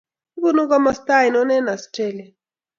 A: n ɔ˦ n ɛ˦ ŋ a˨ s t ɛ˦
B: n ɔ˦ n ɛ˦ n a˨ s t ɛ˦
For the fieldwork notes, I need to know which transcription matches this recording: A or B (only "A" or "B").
B